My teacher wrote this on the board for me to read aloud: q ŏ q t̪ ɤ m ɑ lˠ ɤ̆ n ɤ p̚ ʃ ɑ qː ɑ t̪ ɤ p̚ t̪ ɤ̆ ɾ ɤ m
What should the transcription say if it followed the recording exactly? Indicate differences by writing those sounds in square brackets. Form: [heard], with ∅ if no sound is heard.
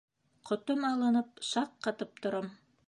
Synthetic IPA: q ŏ [∅] t̪ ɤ m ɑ lˠ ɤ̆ n ɤ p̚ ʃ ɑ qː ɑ t̪ ɤ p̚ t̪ [ŏ] ɾ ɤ m